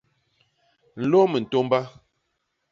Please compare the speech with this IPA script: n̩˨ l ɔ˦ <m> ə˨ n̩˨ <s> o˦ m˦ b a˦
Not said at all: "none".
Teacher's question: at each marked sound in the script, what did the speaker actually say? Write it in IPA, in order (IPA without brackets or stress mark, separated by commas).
m, t